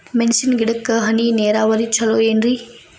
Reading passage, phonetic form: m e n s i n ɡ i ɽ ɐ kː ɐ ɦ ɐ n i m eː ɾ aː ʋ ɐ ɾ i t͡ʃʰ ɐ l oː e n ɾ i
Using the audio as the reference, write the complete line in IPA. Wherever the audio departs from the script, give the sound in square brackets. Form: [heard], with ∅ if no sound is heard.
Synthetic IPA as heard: m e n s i n ɡ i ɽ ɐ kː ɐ ɦ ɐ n i [n] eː ɾ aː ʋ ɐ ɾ i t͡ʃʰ ɐ l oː e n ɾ i